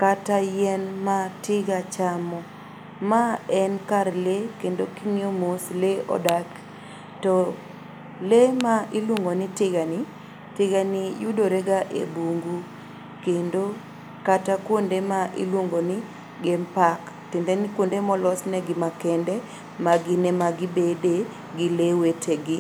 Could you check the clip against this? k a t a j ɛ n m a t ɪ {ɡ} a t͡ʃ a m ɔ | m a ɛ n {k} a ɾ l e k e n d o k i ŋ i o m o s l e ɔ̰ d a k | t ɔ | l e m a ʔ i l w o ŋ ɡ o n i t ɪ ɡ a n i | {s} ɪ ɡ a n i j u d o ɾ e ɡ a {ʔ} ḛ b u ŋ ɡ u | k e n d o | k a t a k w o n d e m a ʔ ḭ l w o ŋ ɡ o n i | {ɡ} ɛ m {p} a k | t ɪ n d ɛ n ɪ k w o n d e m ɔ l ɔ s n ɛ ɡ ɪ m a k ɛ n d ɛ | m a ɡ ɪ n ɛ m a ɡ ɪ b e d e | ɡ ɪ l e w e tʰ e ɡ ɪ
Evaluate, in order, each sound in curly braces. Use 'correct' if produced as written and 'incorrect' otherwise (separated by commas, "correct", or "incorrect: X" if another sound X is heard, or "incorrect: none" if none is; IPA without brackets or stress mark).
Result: correct, correct, incorrect: t, correct, correct, correct